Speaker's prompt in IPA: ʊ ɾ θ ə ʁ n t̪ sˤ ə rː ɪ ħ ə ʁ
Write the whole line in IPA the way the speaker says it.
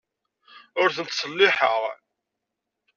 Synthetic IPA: ʊ ɾ θ ə n t̪ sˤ ə lː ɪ ħ ə ʁ